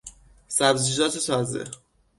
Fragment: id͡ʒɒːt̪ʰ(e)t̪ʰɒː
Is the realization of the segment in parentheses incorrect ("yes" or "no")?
no